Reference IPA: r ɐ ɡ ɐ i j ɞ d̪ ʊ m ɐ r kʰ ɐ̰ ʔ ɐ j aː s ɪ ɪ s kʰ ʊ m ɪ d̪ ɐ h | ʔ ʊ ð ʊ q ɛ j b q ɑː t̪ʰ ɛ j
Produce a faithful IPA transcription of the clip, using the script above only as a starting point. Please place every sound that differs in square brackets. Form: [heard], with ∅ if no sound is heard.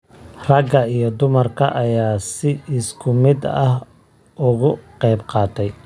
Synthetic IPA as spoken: r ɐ ɡ ɐ i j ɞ d̪ ʊ m ɐ r kʰ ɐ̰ ʔ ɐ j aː s ɪ ɪ s kʰ ʊ m ɪ d̪ ɐ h | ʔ ʊ [ɣ] ʊ q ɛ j b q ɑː t̪ʰ ɛ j

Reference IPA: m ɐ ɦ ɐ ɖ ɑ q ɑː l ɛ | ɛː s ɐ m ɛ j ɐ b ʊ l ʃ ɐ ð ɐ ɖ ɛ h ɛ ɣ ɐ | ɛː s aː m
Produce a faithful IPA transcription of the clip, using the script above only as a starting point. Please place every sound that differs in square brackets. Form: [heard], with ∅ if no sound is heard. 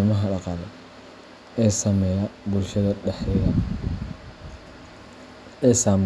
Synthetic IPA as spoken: m ɐ ɦ ɐ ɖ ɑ q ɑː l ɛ | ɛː s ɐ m ɛ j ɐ b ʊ l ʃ ɐ ð ɐ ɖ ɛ [ħ] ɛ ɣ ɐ | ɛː s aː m

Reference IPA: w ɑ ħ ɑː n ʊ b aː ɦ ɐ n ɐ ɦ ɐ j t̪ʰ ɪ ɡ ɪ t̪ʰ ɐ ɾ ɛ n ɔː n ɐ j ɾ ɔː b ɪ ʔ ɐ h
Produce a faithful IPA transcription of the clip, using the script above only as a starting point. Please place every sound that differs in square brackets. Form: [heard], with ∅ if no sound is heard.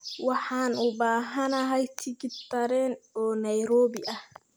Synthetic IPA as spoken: w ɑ ħ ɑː n ʊ b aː ɦ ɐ n ɐ ɦ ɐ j t̪ʰ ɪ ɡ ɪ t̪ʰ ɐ ɾ ɛ n ɔː n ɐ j ɾ ɔː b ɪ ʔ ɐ h

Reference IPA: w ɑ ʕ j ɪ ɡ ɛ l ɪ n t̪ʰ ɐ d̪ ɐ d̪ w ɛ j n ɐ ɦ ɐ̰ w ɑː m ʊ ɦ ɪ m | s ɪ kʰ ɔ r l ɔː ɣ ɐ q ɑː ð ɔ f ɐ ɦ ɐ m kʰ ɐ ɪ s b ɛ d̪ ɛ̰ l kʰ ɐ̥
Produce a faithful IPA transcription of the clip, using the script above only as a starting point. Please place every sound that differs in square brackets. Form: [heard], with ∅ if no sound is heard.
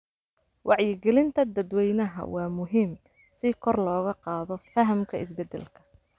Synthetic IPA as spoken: w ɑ ʕ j ɪ ɡ ɛ l ɪ n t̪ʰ ɐ d̪ ɐ d̪ w ɛ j n ɐ ɦ ɐ̰ w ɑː m ʊ ɦ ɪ m | s ɪ kʰ ɔ r l ɔː ɣ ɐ q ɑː ð ɔ f ɐ ɦ ɐ m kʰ ɐ ɪ s b ɛ d̪ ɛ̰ l kʰ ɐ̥

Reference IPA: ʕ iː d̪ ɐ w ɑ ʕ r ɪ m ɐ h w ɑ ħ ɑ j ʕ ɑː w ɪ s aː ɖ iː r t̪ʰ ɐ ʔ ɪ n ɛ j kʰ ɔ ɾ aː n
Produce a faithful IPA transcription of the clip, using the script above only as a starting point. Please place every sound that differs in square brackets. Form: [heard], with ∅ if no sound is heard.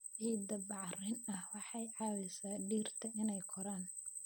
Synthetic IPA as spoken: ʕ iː d̪ ɐ [b] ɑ ʕ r ɪ [n] ɐ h w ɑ ħ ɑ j ʕ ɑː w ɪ s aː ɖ iː r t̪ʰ ɐ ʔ ɪ n ɛ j kʰ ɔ ɾ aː n

